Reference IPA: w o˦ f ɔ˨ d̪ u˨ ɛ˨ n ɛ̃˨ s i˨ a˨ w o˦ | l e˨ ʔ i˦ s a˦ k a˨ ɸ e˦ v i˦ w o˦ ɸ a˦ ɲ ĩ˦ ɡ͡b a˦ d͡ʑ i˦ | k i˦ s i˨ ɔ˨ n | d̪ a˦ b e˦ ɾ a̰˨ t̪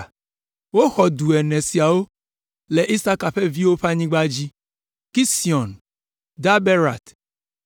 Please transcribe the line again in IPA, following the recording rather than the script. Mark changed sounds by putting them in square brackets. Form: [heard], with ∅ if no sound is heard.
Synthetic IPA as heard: w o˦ [x] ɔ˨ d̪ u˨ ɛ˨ n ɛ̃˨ s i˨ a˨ w o˦ | l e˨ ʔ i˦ s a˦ k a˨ ɸ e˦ v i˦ w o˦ ɸ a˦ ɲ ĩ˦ ɡ͡b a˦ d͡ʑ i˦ | k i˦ s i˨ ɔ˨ n | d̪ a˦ b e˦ ɾ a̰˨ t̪